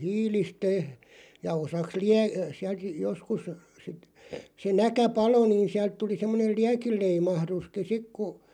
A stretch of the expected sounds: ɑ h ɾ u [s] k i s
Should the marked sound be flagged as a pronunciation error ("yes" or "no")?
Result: no